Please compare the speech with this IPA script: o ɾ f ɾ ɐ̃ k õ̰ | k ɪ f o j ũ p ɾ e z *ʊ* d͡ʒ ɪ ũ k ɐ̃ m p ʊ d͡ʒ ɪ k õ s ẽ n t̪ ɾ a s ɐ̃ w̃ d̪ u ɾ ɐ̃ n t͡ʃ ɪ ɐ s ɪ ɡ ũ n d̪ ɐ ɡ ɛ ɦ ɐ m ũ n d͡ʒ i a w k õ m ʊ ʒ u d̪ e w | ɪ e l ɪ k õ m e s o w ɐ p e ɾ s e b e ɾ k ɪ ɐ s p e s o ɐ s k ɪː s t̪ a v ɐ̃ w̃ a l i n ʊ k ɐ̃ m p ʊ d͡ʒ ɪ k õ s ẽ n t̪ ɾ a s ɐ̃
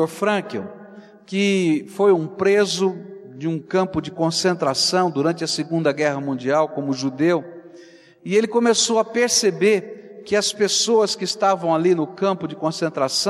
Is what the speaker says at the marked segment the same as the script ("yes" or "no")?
yes